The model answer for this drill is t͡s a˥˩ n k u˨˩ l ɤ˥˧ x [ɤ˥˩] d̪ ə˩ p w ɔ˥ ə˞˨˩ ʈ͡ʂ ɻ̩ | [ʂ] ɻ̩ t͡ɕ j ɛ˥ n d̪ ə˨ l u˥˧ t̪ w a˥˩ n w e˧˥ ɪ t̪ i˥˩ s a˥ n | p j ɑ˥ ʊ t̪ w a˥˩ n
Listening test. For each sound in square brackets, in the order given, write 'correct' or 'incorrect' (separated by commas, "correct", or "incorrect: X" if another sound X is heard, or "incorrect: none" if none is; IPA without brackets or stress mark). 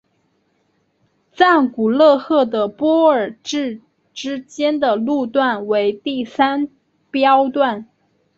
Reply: correct, incorrect: ʈ͡ʂ